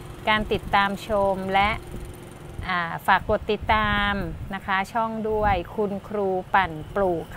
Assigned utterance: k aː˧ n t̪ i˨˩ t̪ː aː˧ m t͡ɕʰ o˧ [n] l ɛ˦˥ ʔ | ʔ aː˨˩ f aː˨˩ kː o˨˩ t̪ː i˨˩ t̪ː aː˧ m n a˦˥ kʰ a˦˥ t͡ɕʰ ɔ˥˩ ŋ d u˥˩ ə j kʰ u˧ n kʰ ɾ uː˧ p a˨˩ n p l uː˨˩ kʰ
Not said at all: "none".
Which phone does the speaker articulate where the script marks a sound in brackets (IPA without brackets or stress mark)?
m